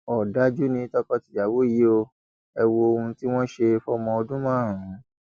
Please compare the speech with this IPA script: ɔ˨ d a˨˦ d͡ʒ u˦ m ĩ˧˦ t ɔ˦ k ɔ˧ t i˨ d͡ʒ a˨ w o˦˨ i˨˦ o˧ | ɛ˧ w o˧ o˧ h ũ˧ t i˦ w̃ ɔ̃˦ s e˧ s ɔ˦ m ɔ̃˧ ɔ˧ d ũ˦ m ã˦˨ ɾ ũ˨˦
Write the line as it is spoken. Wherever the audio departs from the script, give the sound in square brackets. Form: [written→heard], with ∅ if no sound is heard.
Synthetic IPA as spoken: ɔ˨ d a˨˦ d͡ʒ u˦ [m→n] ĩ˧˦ t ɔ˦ k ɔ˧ t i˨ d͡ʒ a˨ w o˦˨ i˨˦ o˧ | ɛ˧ w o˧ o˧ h ũ˧ t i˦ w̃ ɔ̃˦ [s→ʃ] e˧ [s→f] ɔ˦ m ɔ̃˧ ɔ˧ d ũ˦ m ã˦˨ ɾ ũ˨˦